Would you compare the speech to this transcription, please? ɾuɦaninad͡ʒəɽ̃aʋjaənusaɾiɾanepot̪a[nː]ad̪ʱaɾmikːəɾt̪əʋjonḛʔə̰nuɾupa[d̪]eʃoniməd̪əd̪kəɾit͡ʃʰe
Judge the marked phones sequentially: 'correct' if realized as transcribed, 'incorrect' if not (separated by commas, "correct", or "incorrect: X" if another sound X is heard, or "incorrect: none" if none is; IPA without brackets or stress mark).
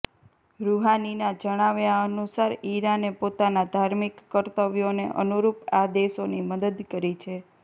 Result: incorrect: n, correct